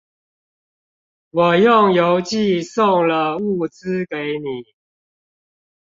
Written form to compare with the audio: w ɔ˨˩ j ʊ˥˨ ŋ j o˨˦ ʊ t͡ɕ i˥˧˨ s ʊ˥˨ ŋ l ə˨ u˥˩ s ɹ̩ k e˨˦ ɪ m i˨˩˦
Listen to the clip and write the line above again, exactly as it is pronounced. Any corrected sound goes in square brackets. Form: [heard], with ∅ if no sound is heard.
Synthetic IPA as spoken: w ɔ˨˩ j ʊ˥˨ ŋ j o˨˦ ʊ t͡ɕ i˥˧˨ s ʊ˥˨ ŋ l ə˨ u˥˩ [t͡s] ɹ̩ k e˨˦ ɪ [n] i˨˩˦